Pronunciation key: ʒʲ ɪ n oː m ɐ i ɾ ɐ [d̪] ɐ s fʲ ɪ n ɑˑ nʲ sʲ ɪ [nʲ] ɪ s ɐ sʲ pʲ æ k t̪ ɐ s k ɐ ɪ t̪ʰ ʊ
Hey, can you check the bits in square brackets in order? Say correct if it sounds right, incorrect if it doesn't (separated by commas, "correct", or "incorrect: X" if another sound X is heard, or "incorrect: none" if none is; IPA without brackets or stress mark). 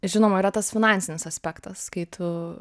incorrect: t̪, correct